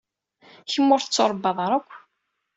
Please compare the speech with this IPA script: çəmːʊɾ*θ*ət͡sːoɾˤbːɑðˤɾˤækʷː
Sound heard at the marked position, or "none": θ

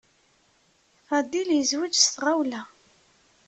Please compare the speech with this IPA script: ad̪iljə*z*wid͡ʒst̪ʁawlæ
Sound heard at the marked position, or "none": z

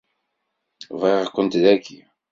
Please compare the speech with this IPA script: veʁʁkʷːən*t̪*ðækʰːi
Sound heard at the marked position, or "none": t̪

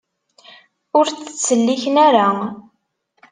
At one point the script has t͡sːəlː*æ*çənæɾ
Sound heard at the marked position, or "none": i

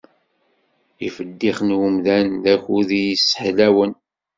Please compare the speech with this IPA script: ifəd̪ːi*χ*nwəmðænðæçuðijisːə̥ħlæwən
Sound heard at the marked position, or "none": χ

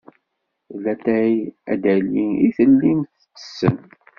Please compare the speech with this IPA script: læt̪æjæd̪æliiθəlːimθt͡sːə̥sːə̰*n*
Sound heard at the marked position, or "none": n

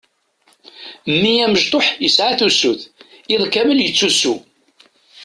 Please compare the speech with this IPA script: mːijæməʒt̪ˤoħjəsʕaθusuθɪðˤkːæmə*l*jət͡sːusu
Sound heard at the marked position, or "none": l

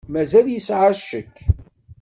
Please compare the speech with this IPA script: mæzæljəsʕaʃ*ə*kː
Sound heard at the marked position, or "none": ə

